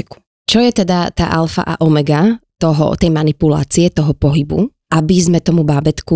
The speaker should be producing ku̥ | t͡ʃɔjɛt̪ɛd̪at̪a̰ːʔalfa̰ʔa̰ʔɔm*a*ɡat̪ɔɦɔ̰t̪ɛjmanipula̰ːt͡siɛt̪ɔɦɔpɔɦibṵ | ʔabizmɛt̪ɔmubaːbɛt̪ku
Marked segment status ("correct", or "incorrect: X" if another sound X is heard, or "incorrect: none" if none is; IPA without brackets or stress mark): incorrect: ɛ